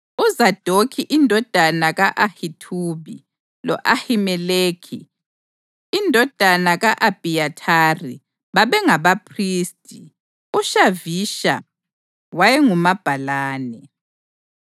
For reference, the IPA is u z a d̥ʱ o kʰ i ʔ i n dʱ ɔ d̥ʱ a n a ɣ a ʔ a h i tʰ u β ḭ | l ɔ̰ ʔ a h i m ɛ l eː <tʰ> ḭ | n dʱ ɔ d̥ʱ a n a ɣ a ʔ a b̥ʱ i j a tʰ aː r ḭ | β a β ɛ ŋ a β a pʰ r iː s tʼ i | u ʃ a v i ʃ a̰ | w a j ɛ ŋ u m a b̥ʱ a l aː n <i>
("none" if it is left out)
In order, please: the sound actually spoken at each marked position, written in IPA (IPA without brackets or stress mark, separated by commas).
kʰ, ɛ